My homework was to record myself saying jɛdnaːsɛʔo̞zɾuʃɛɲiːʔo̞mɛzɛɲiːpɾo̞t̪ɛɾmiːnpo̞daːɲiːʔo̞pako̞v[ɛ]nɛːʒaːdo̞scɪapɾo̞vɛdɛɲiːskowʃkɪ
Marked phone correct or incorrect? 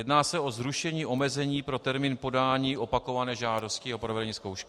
incorrect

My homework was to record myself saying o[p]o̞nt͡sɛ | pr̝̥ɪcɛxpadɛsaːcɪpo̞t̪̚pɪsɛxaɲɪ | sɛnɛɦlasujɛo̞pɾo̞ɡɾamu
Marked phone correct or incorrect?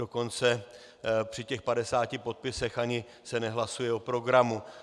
incorrect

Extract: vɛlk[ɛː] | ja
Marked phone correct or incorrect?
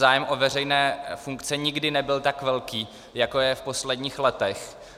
incorrect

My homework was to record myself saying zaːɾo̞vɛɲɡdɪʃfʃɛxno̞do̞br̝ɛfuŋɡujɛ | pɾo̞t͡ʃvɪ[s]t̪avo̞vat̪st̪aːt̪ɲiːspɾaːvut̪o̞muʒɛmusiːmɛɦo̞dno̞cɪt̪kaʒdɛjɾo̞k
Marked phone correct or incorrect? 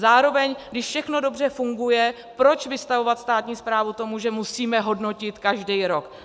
correct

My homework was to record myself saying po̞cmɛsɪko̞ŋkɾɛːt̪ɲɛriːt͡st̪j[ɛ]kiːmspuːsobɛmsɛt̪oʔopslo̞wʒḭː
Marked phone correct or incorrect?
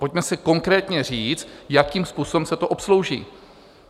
incorrect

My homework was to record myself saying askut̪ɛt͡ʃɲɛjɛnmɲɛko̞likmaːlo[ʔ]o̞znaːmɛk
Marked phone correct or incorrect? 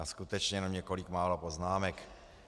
incorrect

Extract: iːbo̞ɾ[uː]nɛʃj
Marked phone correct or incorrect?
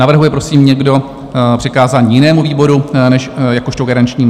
incorrect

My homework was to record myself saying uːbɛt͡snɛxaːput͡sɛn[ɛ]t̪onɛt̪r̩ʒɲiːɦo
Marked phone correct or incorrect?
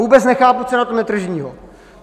incorrect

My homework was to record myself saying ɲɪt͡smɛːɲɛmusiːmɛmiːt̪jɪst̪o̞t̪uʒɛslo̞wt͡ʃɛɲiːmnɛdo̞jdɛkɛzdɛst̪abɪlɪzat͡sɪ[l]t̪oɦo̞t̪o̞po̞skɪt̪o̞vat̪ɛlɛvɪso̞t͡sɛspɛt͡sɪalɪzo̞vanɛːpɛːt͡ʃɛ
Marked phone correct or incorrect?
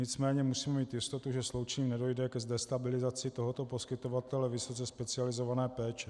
incorrect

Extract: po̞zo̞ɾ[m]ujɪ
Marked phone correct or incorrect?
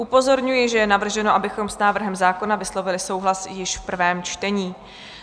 incorrect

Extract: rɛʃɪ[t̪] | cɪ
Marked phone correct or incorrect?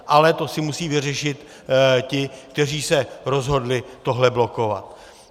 correct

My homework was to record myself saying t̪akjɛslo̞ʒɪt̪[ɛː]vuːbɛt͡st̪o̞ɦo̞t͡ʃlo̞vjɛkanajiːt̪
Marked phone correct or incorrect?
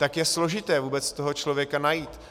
correct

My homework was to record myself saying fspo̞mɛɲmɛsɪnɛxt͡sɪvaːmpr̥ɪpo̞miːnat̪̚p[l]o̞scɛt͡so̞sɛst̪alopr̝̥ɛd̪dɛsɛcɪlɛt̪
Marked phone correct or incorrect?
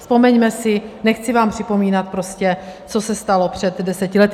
incorrect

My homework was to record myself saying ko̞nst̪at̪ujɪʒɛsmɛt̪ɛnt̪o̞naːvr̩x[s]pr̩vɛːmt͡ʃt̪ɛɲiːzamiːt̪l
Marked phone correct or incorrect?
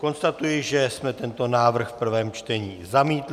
incorrect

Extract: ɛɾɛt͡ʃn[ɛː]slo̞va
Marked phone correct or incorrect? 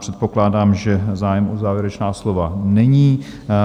incorrect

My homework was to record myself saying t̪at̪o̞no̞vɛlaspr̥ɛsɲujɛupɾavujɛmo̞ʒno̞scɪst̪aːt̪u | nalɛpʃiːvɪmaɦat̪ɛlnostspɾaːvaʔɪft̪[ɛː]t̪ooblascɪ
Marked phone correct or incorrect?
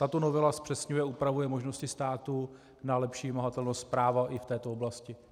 correct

